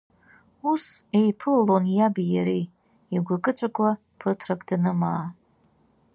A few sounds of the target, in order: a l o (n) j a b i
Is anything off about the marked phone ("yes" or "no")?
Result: no